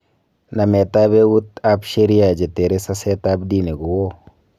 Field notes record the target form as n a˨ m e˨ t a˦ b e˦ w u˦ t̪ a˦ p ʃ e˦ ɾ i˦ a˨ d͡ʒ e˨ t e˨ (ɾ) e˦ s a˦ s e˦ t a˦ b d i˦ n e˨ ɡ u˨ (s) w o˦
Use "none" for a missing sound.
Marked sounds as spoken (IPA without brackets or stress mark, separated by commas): ɾ, none